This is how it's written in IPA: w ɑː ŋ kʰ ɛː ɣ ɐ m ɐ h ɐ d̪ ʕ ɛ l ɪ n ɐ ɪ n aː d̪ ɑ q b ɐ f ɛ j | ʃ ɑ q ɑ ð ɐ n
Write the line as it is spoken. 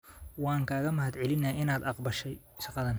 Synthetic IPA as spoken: w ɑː ŋ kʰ aː ɣ ɐ m ɐ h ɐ d̪ ʕ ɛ l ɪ n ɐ ɪ n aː d̪ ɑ q b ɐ ʃ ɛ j | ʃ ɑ q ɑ ð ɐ n